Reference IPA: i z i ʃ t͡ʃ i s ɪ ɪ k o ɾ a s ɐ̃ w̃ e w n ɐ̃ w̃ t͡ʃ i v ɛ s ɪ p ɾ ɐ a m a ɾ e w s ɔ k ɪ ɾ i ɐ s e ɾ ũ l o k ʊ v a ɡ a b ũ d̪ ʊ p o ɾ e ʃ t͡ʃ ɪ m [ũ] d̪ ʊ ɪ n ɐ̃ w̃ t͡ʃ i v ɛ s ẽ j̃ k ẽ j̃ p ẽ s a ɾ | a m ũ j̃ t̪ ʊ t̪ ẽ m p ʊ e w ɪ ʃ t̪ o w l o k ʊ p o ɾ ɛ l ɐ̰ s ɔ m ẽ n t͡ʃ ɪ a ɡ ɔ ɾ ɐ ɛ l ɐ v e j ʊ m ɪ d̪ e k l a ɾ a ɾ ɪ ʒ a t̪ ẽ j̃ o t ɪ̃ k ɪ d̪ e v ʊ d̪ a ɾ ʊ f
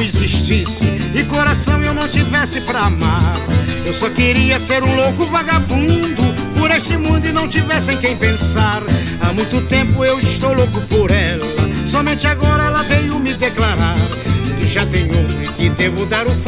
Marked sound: correct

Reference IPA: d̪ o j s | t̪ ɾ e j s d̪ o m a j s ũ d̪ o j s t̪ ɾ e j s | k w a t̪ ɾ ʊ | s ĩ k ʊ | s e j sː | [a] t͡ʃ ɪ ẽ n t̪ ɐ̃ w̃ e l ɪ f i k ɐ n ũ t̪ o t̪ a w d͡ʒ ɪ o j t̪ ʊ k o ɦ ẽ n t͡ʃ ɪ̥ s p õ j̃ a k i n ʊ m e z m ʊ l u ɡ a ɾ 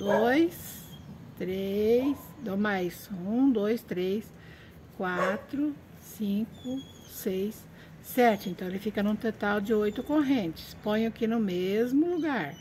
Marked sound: incorrect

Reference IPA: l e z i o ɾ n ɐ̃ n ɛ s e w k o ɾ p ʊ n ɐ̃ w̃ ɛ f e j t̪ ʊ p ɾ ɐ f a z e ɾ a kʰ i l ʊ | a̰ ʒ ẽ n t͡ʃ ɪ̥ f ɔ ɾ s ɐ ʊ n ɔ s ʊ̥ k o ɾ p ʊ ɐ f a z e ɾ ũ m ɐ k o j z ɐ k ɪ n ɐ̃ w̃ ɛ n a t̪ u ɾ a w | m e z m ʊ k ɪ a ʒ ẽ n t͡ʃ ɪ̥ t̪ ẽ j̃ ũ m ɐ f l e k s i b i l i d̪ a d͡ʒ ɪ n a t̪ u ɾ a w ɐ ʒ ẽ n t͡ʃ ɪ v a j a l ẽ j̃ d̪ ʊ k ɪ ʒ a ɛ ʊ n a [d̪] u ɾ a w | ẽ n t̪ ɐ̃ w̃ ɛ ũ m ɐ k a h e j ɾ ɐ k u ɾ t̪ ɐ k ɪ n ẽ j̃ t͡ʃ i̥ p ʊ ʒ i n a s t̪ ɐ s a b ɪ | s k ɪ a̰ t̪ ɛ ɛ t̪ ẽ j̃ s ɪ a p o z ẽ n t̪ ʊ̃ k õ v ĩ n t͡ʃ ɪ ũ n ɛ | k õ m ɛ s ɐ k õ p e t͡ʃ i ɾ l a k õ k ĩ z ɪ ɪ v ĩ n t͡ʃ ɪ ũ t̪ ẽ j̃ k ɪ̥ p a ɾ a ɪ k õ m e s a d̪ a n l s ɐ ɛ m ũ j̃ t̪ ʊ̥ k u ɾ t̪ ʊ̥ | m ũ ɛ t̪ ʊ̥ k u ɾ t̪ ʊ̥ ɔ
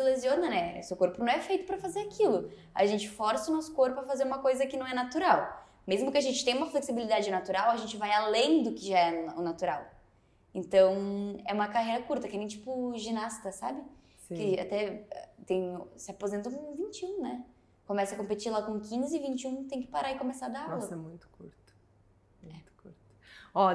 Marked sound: incorrect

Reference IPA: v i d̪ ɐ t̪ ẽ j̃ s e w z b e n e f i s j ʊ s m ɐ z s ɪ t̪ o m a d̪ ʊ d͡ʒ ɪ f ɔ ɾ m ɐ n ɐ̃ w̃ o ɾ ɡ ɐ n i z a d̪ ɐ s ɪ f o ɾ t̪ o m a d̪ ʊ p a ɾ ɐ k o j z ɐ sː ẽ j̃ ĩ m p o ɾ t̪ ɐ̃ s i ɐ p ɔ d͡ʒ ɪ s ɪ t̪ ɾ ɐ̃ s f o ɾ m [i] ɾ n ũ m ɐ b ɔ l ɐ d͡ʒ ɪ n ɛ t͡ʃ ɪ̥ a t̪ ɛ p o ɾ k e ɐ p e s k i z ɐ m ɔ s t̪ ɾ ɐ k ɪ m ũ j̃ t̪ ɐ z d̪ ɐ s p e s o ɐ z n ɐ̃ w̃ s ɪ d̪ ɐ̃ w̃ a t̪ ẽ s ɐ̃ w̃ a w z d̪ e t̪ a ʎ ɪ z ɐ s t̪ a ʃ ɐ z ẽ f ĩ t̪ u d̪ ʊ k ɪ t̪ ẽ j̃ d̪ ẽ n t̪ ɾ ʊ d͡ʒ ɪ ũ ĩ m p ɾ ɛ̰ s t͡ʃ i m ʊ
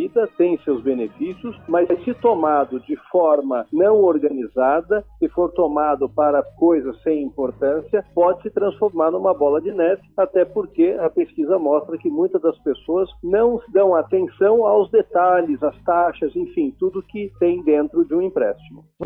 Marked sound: incorrect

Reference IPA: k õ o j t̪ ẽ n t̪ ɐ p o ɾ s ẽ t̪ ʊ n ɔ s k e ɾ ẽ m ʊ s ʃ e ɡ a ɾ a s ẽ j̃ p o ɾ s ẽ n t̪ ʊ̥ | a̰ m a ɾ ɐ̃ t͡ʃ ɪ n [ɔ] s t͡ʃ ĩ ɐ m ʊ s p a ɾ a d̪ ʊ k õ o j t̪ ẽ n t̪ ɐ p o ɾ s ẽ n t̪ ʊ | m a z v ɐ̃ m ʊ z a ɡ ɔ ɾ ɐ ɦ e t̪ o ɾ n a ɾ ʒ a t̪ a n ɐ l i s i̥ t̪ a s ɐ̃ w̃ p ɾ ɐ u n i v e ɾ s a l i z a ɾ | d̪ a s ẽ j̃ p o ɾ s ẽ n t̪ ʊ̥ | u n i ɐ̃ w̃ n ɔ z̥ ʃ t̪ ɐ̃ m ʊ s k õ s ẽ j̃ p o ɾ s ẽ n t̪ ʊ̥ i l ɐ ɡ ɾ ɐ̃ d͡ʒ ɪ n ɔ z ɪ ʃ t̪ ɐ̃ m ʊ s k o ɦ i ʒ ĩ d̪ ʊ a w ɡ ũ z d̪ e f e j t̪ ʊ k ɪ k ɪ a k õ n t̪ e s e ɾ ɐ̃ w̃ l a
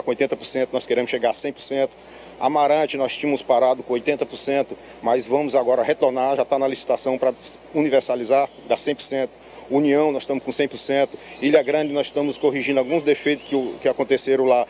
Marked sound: correct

